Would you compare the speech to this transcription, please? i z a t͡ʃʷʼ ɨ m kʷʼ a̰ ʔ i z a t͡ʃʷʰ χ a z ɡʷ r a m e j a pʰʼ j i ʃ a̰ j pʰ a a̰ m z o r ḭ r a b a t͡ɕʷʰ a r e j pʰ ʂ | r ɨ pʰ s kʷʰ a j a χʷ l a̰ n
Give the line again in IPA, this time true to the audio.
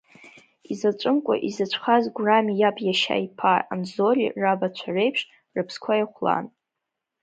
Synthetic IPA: i z a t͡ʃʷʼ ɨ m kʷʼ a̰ ʔ i z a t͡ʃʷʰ χ a z ɡʷ r a m i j a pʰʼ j a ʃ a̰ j pʰ a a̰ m z o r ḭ r a b a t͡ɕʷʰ a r e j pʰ ʂ | r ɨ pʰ s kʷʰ a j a χʷ l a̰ n